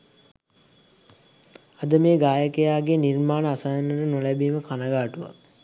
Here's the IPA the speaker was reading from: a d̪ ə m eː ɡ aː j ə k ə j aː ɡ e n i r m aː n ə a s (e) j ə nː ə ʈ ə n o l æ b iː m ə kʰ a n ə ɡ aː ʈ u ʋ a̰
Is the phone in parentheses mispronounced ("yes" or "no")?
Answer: yes